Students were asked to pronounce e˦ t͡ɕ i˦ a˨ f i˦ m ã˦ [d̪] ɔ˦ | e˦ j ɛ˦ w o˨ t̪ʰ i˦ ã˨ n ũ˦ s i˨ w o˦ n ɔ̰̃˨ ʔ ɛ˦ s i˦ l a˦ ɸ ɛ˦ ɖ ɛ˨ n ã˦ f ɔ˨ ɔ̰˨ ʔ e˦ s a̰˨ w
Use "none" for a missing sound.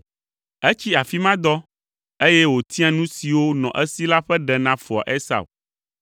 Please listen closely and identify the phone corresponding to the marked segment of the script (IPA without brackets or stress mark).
d̪